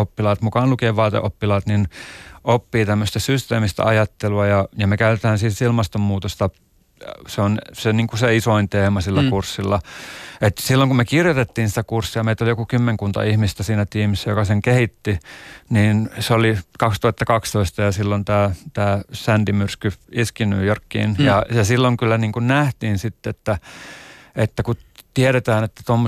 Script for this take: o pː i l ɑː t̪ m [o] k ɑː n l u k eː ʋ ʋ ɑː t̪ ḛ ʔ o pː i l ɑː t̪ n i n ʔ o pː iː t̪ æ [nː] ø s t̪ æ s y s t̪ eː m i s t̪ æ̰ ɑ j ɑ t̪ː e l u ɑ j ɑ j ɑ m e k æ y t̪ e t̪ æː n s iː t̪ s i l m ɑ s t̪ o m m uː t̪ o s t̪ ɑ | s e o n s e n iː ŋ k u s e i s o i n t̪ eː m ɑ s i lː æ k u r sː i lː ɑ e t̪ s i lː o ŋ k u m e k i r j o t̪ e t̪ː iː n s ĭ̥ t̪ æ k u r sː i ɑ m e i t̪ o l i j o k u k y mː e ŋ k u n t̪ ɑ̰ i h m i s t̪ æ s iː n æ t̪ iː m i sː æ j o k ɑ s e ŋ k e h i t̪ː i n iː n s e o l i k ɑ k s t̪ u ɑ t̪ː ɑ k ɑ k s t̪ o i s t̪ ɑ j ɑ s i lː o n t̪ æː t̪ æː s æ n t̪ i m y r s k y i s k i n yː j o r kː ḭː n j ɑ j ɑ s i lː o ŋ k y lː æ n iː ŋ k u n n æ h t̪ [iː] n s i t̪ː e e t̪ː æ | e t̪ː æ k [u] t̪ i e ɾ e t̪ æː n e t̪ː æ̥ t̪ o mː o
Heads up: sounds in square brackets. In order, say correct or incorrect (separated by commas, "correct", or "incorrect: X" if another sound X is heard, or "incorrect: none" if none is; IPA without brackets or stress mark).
incorrect: u, incorrect: mː, correct, correct